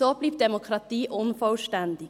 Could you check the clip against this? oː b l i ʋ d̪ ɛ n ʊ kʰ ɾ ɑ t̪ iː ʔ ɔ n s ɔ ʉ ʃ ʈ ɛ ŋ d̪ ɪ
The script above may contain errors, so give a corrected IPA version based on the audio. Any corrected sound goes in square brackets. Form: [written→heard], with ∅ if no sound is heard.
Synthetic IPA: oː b l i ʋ d̪ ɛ [n→m] ʊ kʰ ɾ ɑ t̪ iː ʔ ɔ n [s→f] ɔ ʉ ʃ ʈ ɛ [ŋ→n] d̪ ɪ